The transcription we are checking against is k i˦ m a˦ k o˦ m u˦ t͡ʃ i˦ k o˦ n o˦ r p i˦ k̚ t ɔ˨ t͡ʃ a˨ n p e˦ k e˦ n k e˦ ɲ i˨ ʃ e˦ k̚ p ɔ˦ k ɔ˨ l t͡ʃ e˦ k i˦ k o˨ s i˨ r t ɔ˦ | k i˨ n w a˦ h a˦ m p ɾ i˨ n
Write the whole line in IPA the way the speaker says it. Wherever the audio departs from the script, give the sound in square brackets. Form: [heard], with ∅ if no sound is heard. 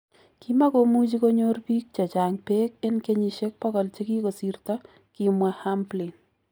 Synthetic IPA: k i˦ m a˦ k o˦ m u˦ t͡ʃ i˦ k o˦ [ɲ] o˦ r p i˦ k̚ [t͡ʃ] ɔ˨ t͡ʃ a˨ [ŋ] p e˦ k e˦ n k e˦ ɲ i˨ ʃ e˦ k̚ p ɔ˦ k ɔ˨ l t͡ʃ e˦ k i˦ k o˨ s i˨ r t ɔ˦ | k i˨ [m] w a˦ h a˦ m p [l] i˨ n